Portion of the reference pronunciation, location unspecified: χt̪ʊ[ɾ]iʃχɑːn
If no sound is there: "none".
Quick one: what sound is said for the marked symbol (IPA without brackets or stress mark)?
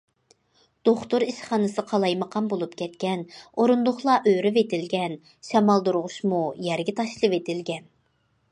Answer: ɾ